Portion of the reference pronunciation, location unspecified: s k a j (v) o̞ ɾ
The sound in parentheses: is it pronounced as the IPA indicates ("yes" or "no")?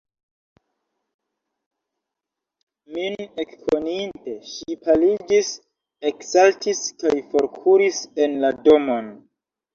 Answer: no